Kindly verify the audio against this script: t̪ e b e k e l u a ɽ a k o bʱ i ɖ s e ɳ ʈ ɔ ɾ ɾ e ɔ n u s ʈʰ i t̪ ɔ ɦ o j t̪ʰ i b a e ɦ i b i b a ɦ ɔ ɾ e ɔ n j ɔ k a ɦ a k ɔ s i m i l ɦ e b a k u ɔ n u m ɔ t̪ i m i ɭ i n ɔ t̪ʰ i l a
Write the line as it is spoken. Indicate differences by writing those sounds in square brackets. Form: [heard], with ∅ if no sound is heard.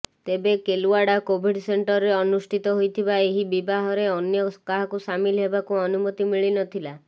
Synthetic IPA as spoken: t̪ e b e k e l u a ɽ a k o bʱ i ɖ s e ɳ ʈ ɔ ɾ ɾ e ɔ n u s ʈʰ i t̪ ɔ ɦ o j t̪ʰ i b a e ɦ i b i b a ɦ ɔ ɾ e ɔ n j ɔ k a ɦ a k [u] s [a] m i l ɦ e b a k u ɔ n u m ɔ t̪ i m i ɭ i n ɔ t̪ʰ i l a